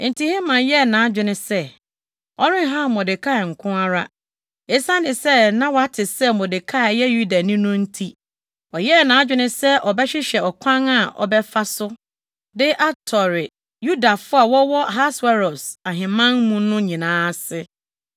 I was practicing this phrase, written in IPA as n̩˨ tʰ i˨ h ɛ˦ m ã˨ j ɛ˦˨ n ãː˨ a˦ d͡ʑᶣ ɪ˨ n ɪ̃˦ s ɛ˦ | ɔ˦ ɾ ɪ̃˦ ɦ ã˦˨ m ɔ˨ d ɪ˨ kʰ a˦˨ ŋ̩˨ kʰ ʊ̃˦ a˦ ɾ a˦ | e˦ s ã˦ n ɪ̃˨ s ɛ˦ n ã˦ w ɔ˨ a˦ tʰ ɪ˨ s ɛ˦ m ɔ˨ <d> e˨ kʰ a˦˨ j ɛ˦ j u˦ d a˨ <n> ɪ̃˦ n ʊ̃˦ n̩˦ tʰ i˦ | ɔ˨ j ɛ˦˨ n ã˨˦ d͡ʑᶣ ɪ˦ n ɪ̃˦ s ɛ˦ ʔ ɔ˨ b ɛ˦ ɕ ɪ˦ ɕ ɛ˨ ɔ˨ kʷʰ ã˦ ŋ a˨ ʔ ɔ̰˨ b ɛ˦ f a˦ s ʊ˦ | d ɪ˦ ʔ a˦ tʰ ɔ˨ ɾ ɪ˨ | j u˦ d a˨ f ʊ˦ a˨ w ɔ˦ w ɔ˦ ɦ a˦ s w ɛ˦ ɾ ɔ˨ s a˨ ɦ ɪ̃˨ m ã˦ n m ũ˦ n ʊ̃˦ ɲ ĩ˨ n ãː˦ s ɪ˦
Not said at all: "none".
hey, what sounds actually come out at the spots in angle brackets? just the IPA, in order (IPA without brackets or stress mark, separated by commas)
d, n